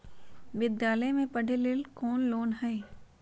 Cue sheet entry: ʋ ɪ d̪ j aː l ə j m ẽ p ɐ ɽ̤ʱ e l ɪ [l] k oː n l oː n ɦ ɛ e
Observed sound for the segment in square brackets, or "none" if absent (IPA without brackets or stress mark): l